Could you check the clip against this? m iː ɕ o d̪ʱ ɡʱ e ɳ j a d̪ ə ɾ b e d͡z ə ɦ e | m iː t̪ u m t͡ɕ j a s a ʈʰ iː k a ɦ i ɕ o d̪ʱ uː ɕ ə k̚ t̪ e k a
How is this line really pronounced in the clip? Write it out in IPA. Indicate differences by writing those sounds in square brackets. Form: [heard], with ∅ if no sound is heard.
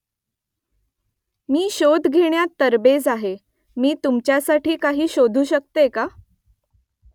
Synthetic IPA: m iː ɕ o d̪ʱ ɡʱ e ɳ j a [t̪] ə ɾ b e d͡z [a] ɦ e | m iː t̪ u m t͡ɕ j a s a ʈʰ iː k a ɦ [iː] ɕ o d̪ʱ uː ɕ ə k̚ t̪ e k a

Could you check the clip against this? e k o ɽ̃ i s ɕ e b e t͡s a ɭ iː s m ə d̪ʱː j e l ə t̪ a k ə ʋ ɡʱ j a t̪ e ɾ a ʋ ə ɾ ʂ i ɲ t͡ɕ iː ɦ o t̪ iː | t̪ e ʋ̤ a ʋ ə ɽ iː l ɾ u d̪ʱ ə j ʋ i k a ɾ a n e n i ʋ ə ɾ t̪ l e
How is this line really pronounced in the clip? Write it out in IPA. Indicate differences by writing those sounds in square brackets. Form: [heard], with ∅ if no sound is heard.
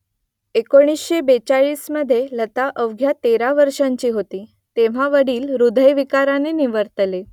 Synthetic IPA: e k o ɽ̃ i s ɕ e b e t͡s a ɭ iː s m ə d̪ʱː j e l ə t̪ a [ʔ] ə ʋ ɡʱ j a t̪ e ɾ a ʋ ə ɾ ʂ [a] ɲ t͡ɕ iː ɦ o t̪ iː | t̪ e ʋ̤ a ʋ ə ɽ iː l ɾ u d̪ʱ ə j ʋ i k a ɾ a n e n i ʋ ə ɾ t̪ l e

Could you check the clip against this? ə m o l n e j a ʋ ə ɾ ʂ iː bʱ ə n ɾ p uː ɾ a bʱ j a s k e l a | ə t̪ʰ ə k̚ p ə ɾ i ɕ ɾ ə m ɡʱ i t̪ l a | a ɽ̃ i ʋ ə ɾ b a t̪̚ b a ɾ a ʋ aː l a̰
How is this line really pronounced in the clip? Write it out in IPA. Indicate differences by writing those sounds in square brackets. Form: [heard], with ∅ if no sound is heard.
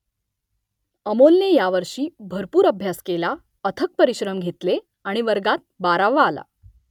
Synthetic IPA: ə m o l n e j a ʋ ə ɾ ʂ iː bʱ ə [∅] ɾ p uː ɾ [ə] bʱ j a s k e l a | ə t̪ʰ ə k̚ p ə ɾ i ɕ ɾ ə m ɡʱ [e] t̪ l [e] | a ɽ̃ i ʋ ə ɾ [ɡ] a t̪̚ b a ɾ a ʋ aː l a̰

